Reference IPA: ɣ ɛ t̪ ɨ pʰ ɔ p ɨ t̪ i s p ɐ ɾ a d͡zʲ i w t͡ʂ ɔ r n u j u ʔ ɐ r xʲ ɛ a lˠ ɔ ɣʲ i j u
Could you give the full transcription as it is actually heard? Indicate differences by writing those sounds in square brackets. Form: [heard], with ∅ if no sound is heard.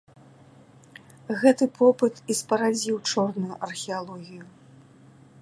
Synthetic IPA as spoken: ɣ ɛ t̪ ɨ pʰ ɔ p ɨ t̪ i s p ɐ ɾ a d͡zʲ i w t͡ʂ ɔ r n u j u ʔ ɐ r xʲ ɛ a lˠ ɔ ɣʲ i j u